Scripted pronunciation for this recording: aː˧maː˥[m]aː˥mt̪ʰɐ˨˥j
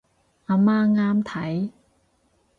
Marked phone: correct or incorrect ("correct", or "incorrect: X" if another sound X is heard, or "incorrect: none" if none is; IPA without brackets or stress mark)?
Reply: incorrect: ŋ